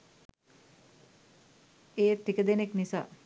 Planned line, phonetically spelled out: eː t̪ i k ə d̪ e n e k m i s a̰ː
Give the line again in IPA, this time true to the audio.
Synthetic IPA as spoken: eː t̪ i k ə d̪ e n e k n i s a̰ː